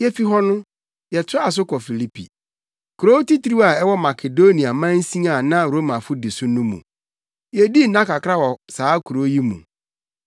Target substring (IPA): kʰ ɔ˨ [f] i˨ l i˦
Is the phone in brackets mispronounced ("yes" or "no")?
no